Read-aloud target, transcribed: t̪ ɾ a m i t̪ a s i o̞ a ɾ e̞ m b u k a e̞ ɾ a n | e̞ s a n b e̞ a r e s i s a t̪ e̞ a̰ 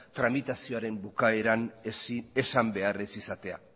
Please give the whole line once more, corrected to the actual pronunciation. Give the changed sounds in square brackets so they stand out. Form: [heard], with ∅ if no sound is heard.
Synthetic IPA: t̪ ɾ a m i t̪ a s i o̞ a ɾ e̞ m b u k a e̞ ɾ a n | e̞ s a [m] b e̞ a r e s i s a t̪ e̞ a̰